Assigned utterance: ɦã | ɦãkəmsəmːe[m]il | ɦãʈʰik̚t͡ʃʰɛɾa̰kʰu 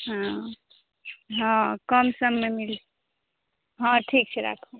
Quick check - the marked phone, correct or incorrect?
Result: correct